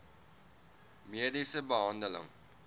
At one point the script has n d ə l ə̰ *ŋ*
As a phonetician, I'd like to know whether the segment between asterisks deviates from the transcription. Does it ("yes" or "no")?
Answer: no